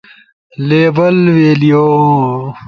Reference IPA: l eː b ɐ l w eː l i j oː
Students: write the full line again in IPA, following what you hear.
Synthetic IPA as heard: l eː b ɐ l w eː l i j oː